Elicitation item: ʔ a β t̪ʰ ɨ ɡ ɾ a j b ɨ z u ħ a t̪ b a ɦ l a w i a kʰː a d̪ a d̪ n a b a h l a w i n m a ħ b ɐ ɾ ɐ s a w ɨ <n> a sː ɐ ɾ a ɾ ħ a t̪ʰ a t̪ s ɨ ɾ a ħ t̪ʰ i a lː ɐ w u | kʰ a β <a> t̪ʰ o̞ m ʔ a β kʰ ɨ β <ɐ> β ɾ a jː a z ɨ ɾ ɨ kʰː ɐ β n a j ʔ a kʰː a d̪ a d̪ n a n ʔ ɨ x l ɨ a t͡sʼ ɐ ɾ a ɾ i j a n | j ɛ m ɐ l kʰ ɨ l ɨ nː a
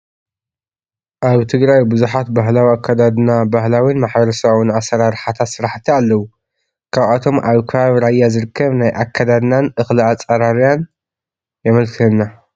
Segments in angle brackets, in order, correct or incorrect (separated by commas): correct, correct, incorrect